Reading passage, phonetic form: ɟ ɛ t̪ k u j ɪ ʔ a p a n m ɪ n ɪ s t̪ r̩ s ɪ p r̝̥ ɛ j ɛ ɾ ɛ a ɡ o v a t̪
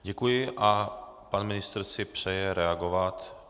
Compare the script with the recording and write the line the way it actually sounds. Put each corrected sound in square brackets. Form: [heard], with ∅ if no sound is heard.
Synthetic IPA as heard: ɟ ɛ [∅] k u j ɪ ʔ a p a n m ɪ n ɪ s t̪ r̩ s ɪ p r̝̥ ɛ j ɛ ɾ ɛ a ɡ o v a t̪